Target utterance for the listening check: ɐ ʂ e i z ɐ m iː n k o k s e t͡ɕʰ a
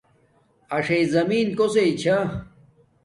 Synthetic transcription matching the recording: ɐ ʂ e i z ɐ m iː n k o s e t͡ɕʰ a